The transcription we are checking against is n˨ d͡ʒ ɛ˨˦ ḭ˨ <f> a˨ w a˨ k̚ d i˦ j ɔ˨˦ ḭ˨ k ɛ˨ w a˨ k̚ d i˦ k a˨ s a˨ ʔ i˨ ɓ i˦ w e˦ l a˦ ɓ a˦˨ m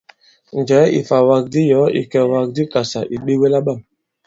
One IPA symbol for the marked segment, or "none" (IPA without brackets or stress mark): f